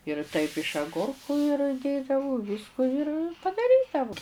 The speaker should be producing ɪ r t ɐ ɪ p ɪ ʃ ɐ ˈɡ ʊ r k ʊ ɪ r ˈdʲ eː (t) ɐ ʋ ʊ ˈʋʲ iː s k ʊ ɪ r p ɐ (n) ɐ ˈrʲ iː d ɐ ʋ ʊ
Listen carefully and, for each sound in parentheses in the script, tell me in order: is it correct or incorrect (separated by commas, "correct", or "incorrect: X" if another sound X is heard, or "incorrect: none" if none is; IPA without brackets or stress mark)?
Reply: incorrect: d, incorrect: d